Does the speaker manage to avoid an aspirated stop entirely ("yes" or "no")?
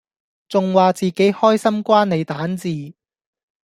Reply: yes